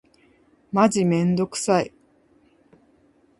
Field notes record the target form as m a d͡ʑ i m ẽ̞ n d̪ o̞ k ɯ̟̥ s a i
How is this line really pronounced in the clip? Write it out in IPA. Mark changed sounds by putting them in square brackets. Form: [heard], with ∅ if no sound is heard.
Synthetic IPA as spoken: m a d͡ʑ i m ẽ̞ n d̪ o̞ k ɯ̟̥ s a i